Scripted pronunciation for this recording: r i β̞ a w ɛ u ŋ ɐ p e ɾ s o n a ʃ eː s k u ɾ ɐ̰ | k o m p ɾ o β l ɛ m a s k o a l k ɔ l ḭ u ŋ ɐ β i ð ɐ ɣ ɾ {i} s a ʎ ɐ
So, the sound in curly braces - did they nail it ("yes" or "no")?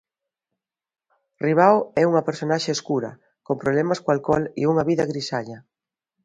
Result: yes